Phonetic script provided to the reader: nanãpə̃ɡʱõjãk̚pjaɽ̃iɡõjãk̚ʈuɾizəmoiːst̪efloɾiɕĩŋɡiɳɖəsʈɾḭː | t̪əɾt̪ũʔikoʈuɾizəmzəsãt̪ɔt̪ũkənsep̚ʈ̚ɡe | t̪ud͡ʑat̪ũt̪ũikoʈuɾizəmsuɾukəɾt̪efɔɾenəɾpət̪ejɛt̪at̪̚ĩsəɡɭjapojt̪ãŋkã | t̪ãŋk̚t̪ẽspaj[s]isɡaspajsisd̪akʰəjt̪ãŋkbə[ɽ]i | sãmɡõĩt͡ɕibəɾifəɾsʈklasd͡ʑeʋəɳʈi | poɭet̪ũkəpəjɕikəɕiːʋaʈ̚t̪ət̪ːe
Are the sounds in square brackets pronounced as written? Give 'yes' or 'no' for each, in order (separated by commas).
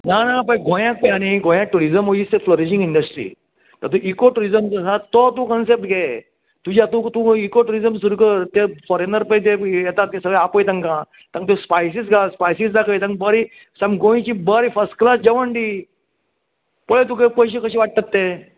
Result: yes, no